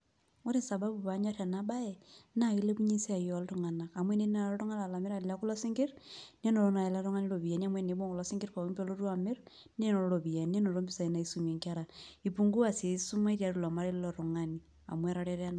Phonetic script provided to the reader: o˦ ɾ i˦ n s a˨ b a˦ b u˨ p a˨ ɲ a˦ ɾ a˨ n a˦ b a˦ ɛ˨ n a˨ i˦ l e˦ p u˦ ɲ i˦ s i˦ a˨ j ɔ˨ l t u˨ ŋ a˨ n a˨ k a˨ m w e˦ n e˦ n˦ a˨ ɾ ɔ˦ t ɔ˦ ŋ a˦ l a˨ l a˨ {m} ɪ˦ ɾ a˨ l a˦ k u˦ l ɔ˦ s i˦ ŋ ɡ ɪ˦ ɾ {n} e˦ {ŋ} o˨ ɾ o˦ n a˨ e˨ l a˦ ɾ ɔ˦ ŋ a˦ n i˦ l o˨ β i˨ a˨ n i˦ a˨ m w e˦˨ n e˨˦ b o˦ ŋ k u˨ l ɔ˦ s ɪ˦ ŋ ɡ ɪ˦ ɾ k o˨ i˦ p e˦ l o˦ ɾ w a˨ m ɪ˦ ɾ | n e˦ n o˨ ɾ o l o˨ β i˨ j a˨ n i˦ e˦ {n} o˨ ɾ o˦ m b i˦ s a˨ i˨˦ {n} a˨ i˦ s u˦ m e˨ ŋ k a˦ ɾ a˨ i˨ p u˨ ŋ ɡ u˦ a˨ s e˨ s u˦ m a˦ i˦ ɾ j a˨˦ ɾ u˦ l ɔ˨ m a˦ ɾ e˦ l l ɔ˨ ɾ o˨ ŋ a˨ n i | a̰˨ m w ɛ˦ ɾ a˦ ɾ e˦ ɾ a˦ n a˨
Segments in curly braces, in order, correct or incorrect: correct, correct, incorrect: n, correct, correct

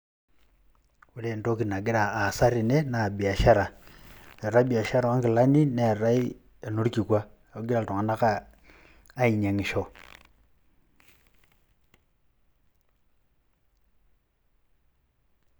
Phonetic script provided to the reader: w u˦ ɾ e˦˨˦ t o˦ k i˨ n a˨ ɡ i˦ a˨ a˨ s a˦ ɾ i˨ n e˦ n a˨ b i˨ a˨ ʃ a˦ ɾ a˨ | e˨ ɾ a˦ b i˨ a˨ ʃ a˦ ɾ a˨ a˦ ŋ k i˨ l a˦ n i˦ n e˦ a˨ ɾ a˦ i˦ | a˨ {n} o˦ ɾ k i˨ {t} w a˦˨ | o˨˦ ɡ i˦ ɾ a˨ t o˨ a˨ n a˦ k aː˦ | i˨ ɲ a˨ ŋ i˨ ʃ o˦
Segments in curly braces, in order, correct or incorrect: correct, incorrect: k

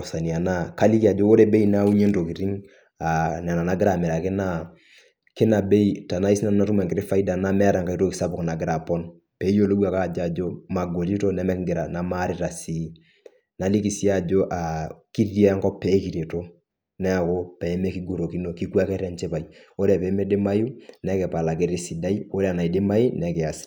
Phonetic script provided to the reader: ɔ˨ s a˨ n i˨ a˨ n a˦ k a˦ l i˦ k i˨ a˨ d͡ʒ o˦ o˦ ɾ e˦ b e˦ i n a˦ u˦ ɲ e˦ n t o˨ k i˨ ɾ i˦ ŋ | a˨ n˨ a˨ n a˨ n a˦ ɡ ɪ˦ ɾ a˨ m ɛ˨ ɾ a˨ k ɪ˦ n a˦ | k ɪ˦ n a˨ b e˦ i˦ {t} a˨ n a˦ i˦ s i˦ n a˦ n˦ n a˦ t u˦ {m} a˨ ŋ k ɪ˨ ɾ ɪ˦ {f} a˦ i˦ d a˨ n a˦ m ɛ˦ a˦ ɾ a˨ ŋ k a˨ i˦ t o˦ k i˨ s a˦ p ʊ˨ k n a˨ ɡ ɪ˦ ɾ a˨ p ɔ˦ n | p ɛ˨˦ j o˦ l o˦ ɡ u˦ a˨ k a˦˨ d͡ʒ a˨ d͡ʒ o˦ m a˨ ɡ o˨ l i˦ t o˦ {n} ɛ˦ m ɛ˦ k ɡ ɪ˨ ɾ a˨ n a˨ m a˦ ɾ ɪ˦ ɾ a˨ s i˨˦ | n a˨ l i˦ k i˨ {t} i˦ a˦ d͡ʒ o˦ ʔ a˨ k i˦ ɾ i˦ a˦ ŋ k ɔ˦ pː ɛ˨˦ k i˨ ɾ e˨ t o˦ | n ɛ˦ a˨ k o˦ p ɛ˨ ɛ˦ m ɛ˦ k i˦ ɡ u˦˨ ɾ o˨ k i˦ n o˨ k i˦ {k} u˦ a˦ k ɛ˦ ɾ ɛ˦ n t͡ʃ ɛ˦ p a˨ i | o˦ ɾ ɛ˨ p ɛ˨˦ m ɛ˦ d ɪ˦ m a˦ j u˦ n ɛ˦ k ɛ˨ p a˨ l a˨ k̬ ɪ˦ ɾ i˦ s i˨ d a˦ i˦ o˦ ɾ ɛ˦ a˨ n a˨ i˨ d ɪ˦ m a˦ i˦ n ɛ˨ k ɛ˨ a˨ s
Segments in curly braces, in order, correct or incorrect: correct, correct, correct, correct, incorrect: s, correct

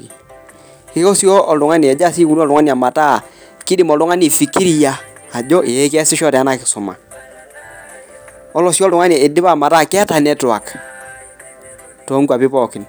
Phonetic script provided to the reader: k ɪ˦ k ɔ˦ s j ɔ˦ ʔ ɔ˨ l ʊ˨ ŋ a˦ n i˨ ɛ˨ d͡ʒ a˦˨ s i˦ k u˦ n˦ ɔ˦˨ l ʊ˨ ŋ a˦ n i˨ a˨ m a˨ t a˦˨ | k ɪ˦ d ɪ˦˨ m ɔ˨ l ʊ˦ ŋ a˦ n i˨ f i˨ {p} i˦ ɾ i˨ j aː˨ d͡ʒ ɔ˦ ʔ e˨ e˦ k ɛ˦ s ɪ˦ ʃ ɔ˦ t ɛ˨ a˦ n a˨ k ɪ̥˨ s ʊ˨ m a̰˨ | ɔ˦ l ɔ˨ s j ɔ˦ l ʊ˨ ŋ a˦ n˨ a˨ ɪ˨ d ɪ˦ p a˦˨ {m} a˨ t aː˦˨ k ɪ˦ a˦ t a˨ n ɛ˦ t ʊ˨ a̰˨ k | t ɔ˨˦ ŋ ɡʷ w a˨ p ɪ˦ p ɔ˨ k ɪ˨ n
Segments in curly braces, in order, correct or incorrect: incorrect: k, correct

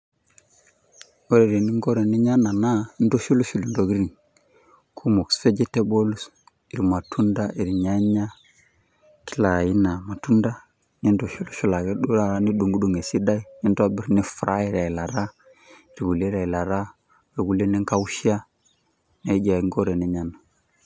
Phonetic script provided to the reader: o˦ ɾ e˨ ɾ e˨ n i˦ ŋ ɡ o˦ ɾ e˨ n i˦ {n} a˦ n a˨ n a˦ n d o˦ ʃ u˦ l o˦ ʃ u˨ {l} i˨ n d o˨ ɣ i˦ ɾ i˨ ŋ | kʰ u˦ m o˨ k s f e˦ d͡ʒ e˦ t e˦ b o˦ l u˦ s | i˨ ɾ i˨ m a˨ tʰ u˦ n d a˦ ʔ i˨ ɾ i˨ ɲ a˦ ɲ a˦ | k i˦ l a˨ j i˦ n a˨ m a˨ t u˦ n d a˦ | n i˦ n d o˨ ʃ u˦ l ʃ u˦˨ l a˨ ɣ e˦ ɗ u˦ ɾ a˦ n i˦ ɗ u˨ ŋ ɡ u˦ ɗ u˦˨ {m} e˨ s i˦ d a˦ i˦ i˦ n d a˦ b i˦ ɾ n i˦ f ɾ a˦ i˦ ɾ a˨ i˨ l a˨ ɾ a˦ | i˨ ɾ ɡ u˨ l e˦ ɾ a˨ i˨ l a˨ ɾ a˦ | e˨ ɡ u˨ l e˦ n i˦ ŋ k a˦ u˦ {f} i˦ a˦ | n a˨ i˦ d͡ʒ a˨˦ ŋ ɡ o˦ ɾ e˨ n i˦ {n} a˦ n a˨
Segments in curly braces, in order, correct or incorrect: incorrect: ɲ, correct, incorrect: ŋ, incorrect: ʃ, incorrect: ɲ

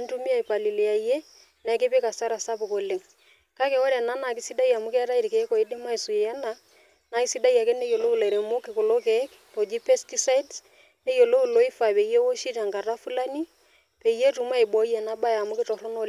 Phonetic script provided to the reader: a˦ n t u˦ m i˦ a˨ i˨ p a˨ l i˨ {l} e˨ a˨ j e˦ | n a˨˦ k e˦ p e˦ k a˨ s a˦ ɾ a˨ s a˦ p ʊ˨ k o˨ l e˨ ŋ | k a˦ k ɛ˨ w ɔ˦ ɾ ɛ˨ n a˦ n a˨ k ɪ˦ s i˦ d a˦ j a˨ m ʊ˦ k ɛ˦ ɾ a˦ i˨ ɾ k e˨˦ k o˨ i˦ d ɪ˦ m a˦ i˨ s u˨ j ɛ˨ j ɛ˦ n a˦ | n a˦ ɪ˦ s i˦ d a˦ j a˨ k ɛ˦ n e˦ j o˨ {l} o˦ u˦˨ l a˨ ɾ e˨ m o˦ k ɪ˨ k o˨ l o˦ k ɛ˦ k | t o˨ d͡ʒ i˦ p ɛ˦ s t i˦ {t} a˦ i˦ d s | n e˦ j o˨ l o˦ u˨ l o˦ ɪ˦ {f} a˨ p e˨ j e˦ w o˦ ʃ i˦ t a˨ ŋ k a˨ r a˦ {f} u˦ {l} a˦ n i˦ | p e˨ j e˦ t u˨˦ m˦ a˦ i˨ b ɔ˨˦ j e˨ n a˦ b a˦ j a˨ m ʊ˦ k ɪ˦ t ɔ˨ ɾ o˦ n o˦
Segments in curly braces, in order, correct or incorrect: correct, correct, incorrect: s, correct, correct, correct

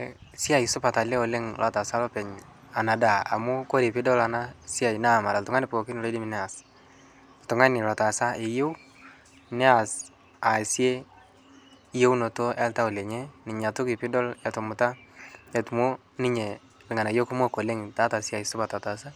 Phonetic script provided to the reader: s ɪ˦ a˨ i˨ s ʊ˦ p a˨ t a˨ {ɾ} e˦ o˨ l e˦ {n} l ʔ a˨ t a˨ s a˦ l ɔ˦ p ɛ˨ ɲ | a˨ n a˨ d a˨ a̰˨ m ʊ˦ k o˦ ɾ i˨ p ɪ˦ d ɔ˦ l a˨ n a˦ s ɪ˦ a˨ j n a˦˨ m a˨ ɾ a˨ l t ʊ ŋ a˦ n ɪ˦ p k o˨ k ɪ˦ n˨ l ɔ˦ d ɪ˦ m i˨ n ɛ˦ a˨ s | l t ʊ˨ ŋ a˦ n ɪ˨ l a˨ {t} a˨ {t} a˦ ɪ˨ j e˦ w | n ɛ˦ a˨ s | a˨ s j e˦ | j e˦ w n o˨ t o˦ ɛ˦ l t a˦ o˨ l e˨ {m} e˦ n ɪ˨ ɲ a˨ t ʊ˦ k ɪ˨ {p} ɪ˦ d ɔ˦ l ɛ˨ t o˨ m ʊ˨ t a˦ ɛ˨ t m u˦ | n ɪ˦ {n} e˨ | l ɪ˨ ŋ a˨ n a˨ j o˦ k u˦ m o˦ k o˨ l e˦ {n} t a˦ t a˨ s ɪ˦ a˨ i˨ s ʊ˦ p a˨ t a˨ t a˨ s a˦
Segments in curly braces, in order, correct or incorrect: incorrect: l, incorrect: ŋ, correct, incorrect: s, incorrect: ɲ, correct, incorrect: ɲ, incorrect: ŋ

